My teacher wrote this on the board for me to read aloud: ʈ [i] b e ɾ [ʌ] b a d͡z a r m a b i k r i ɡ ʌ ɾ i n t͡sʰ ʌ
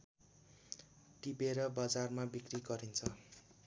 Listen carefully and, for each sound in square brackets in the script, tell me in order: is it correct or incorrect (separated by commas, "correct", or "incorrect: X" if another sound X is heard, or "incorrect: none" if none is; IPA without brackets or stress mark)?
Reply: correct, correct